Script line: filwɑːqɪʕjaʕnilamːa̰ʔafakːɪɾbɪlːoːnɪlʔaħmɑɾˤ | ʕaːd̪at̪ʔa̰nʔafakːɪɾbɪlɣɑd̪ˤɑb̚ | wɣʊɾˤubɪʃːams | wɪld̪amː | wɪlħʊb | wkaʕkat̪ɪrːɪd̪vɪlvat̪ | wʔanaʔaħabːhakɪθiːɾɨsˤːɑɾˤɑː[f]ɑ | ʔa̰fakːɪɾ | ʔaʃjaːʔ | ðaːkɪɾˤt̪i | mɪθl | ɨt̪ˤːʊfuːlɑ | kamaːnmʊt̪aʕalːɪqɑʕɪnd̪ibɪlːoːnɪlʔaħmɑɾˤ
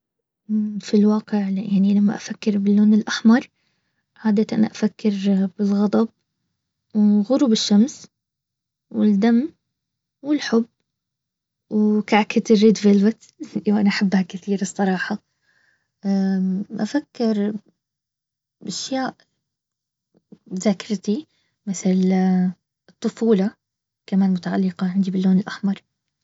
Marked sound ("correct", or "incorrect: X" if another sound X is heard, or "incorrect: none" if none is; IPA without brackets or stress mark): incorrect: ħ